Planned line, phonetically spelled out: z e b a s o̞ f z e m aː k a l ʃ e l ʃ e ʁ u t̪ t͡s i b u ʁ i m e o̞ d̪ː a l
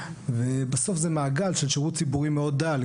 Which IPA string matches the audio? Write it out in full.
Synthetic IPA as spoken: v e b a s o̞ f z e m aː ɡ a l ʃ e l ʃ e ʁ u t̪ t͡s i b u ʁ i m e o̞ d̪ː a l